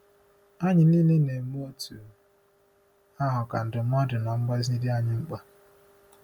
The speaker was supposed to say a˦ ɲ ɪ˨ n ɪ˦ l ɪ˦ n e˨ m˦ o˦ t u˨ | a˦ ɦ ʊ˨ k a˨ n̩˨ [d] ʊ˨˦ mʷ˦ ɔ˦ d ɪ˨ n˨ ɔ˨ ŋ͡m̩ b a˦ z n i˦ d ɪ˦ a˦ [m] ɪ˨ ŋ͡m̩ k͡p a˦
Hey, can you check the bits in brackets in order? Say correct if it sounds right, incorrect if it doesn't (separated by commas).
correct, incorrect